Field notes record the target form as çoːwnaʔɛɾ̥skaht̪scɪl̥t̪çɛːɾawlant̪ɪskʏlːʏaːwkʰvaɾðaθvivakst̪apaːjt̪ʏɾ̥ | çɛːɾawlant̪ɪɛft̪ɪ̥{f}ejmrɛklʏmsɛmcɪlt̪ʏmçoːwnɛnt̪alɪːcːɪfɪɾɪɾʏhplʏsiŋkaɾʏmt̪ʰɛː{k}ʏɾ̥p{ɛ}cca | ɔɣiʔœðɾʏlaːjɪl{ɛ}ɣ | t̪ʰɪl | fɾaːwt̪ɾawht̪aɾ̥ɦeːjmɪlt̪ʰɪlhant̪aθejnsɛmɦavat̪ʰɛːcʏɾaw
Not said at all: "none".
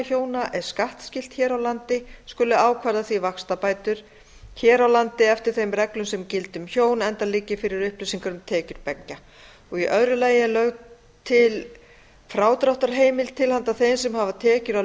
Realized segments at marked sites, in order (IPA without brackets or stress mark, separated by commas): θ, c, ɛ, œ